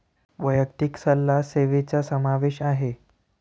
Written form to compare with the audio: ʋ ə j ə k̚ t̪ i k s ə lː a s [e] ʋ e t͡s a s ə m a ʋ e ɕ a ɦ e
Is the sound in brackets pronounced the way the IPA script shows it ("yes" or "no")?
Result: yes